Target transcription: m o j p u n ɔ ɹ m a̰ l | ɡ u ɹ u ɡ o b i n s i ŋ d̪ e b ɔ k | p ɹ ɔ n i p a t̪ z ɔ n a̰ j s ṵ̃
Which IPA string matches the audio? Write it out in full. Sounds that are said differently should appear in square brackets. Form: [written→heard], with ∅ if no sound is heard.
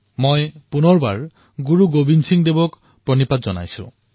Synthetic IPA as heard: m o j p u n ɔ ɹ [m→b] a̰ [l→ɹ] | ɡ u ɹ u ɡ o b i n s i ŋ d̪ e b ɔ k | p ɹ ɔ n i p a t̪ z ɔ n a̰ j s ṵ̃